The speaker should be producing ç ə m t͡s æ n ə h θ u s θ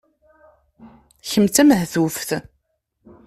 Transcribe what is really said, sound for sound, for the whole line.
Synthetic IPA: ç ə m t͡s æ m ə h θ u f θ